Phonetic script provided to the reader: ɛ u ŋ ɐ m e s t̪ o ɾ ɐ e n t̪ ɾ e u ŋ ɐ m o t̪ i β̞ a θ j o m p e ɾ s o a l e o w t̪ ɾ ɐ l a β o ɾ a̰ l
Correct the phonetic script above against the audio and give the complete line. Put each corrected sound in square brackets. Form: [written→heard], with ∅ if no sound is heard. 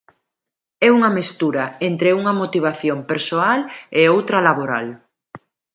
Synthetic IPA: ɛ u ŋ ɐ m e s t̪ [o→u] ɾ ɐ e n t̪ ɾ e u ŋ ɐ m o t̪ i β̞ a θ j o m p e ɾ s o a l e o w t̪ ɾ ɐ l a β o ɾ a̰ l